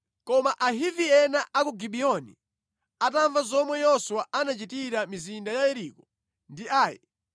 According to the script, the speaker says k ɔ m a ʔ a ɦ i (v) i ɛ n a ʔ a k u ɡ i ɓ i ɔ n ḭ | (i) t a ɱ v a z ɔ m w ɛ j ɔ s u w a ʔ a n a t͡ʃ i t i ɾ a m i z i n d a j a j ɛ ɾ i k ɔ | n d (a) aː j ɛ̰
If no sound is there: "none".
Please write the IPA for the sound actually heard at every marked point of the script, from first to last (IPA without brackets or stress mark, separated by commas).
v, a, i